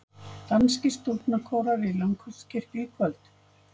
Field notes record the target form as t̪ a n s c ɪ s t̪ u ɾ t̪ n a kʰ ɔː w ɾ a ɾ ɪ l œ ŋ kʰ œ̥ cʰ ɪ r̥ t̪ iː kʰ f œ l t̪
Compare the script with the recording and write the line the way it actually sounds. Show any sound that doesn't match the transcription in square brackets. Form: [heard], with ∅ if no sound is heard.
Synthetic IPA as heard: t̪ a n s c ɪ s t̪ u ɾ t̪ n a kʰ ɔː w ɾ a ɾ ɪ l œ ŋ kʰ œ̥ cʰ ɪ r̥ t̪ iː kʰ [v] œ l t̪